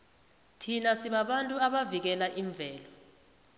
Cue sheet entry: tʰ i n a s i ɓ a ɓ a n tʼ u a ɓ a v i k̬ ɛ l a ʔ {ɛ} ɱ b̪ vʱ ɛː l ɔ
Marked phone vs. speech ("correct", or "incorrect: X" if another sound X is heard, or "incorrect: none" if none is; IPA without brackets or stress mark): incorrect: i